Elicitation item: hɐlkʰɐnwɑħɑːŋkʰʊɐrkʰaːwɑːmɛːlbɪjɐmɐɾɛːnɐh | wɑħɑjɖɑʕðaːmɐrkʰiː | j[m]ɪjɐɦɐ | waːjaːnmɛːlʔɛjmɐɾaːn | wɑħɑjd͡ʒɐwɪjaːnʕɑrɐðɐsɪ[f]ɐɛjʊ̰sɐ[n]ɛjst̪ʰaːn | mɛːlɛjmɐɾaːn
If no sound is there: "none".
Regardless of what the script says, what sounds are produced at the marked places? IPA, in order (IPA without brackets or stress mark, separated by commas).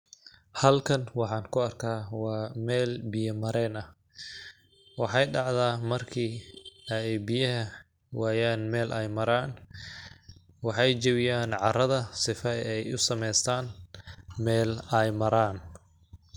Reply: b, f, m